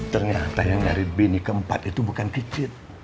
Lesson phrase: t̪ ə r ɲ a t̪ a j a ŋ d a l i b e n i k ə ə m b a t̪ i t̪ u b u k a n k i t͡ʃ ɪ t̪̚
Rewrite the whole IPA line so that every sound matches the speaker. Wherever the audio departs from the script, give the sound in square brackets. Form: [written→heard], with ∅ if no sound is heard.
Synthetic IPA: t̪ ə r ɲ a t̪ a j a ŋ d a [l→ɾ] i b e n i k ə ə m [b→p] a t̪ i t̪ u b u k a n k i t͡ʃ ɪ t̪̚